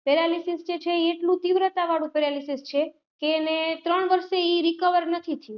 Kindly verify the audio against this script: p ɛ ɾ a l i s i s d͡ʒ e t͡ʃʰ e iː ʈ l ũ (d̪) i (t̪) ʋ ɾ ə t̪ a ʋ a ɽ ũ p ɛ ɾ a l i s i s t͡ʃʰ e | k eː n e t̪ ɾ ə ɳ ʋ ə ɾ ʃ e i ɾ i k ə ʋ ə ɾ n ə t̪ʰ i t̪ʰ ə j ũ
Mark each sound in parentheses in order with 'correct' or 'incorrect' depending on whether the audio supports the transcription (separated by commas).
incorrect, incorrect